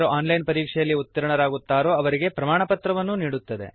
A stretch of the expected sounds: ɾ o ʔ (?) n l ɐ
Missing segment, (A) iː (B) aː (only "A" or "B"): B